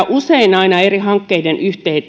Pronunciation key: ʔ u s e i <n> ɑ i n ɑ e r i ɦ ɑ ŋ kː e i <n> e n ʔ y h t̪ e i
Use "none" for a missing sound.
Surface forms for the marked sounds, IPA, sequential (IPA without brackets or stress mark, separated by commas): n, d